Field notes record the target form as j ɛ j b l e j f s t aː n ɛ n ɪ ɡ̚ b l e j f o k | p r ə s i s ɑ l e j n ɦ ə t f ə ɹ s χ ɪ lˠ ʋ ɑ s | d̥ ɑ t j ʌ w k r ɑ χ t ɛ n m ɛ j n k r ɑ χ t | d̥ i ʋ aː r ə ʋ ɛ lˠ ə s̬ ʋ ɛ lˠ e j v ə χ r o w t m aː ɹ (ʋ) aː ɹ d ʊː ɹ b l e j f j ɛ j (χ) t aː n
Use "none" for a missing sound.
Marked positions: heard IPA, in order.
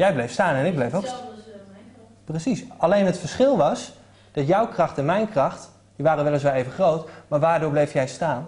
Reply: ʋ, s

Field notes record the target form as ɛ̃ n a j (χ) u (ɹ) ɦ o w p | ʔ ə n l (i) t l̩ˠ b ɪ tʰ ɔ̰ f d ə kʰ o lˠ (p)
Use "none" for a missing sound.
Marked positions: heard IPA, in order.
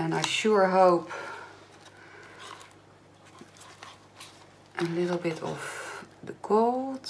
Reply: ʃ, ɹ, ɪ, t

